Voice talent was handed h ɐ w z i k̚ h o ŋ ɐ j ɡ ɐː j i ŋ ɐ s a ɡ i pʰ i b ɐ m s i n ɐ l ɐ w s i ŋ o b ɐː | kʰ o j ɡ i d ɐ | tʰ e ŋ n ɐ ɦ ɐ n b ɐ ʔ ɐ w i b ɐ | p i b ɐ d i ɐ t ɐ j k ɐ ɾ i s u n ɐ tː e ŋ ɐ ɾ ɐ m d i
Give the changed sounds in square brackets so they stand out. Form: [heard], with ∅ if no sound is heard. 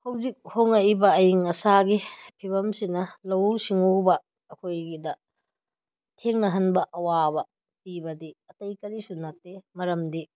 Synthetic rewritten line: h ɐ w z i k̚ h o ŋ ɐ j [b] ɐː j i ŋ ɐ s a ɡ i pʰ i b ɐ m s i n ɐ l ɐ w s i ŋ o b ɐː | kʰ o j ɡ i d ɐ | tʰ e ŋ n ɐ ɦ ɐ n b ɐ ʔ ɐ w [a] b ɐ | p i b ɐ d i ɐ t ɐ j k ɐ ɾ i s u n ɐ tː e [m] ɐ ɾ ɐ m d i